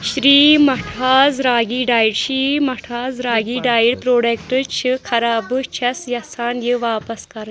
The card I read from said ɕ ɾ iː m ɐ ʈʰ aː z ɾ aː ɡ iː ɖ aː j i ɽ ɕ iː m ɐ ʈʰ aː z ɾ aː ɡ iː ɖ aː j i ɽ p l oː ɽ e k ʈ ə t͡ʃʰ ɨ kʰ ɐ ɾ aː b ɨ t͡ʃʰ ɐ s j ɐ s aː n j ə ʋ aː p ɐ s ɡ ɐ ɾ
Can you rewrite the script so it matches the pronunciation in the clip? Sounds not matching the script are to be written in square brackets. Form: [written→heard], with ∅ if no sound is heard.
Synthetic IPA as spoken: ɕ ɾ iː m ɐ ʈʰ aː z ɾ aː ɡ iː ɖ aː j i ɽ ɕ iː m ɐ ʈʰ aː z ɾ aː ɡ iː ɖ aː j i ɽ p [l→ɾ] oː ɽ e k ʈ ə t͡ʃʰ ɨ kʰ ɐ ɾ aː b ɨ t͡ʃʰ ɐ s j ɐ s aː n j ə ʋ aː p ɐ s [ɡ→k] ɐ ɾ